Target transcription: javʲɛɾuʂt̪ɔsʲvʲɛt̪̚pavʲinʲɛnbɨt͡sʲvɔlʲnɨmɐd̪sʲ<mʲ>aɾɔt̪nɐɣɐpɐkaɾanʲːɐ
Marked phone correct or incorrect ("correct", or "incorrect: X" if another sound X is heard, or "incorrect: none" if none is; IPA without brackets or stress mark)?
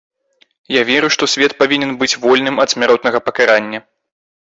correct